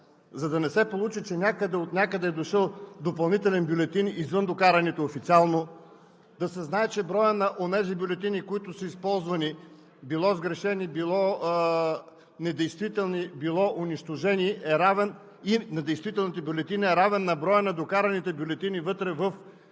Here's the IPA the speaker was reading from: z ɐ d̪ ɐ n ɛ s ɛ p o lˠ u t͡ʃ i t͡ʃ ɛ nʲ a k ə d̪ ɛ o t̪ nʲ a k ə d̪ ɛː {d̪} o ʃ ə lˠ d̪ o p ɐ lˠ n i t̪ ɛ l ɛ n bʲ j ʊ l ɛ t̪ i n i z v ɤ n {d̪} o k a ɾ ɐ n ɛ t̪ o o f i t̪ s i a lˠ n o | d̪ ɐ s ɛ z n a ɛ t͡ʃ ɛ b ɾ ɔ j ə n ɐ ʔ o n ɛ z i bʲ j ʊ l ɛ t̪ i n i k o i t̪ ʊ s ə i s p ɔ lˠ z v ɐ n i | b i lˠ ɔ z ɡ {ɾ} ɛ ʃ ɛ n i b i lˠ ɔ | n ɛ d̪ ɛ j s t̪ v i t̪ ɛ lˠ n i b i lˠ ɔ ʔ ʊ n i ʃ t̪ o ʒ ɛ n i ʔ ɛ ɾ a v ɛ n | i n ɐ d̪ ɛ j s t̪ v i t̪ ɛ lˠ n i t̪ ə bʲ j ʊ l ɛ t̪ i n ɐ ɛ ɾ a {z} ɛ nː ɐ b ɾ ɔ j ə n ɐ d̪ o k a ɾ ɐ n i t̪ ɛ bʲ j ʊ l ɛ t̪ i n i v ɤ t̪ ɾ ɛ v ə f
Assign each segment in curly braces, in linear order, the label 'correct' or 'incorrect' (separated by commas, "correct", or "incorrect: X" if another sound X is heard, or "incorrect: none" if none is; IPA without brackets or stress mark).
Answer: correct, correct, correct, incorrect: v